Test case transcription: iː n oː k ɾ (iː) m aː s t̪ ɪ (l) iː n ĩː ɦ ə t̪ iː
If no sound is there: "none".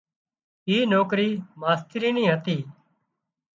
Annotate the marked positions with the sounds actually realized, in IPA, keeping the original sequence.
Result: iː, ɾ

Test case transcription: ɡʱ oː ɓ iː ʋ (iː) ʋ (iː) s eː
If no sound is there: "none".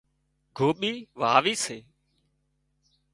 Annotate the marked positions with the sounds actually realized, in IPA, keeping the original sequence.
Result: aː, iː

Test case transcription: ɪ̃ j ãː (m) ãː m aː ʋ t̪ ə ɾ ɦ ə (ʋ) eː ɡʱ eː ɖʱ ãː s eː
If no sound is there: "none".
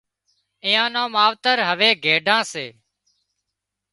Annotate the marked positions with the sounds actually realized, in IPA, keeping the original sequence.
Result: n, ʋ

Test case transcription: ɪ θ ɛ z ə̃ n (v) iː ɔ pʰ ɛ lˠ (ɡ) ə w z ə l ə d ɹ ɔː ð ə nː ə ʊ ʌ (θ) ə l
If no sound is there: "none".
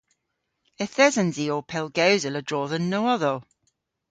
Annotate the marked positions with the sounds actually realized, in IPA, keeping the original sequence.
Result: z, ɡ, ð

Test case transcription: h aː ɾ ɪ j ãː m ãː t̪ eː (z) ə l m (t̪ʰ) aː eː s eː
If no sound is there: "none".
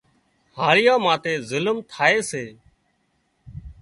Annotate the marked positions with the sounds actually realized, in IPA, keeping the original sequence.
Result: z, t̪ʰ

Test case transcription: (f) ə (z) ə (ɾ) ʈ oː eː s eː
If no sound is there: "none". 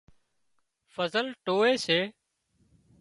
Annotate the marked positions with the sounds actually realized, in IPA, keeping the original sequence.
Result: f, z, l

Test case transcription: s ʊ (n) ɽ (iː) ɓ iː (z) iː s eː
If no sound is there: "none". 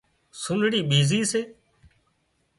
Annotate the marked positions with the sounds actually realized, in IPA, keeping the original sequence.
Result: n, iː, z

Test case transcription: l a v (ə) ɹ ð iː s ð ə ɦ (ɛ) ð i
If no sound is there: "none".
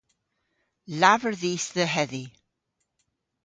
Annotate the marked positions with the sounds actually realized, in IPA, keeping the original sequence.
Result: ə, ɛ

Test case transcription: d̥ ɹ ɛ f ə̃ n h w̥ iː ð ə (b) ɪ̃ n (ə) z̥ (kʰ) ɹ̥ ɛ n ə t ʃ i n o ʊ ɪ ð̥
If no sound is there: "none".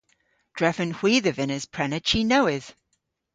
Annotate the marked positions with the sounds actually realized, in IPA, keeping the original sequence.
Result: v, ə, pʰ

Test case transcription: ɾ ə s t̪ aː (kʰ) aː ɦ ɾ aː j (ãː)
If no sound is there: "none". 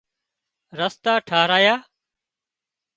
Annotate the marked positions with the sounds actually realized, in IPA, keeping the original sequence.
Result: ʈʰ, aː

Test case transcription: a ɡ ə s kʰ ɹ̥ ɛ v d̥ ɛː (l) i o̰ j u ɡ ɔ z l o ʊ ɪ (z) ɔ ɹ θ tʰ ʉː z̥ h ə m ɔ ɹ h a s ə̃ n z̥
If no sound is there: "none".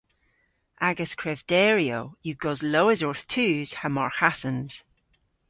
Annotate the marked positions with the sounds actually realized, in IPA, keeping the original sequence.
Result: ɹ, z

